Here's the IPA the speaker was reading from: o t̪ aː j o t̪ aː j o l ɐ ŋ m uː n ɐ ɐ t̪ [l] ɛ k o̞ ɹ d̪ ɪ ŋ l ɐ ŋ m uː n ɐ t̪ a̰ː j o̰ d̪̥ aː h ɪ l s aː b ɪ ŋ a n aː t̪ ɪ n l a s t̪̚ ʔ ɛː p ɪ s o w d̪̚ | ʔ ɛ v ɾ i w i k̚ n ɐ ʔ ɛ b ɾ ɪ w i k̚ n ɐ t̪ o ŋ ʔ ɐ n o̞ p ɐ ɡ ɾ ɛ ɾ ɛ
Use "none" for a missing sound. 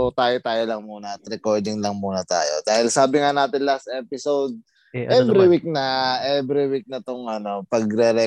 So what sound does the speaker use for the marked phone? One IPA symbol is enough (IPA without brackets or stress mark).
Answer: ɾ